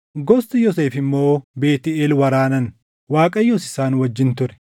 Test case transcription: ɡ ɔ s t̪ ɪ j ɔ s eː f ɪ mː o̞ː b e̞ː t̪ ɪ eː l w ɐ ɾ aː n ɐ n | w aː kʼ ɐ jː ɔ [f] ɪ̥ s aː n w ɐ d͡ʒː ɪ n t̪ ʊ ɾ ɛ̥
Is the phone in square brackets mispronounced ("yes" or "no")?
yes